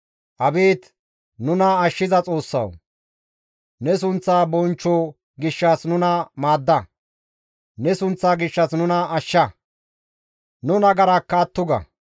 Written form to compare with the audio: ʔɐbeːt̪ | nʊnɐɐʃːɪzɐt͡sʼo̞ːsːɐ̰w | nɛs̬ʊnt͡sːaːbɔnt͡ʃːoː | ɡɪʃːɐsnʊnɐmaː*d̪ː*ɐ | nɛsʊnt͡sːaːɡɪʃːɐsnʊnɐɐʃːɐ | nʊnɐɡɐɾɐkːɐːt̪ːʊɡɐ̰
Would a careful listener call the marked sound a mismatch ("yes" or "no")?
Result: no